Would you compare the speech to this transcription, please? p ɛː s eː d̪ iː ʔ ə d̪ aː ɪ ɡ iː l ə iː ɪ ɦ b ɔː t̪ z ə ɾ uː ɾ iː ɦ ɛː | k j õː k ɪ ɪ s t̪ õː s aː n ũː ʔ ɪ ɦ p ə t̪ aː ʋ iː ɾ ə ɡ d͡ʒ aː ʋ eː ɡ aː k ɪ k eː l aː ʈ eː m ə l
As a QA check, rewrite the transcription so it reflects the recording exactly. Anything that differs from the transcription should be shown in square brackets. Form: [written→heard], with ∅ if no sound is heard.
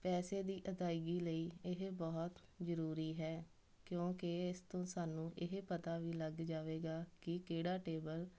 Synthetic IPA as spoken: p ɛː s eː d̪ iː ʔ ə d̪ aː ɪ ɡ iː l ə iː ɪ ɦ b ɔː t̪ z ə ɾ uː ɾ iː ɦ ɛː | k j õː k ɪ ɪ s t̪ õː s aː n ũː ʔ ɪ ɦ p ə t̪ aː ʋ iː [ɾ→l] ə ɡ d͡ʒ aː ʋ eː ɡ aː k ɪ k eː [l→ɽ] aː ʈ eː [m→b] ə l